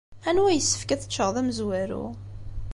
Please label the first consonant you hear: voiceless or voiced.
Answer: voiced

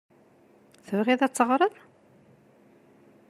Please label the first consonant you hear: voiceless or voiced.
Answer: voiceless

